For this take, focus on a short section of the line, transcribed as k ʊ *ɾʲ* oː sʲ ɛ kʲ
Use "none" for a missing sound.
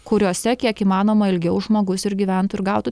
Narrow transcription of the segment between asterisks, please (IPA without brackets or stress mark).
ɾʲ